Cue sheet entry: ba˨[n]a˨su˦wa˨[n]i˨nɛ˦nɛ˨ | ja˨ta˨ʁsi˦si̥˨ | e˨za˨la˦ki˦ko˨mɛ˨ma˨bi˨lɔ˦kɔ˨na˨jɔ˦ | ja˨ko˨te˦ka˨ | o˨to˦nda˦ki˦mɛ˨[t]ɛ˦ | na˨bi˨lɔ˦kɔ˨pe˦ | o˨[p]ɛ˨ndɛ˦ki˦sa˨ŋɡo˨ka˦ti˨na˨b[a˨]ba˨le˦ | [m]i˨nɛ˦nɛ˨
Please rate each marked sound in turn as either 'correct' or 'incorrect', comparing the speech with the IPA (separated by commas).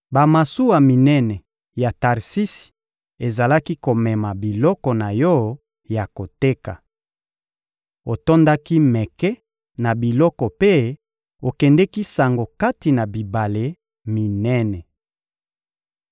incorrect, incorrect, incorrect, incorrect, incorrect, correct